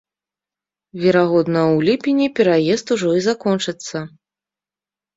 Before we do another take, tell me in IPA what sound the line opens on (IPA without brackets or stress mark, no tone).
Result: vʲ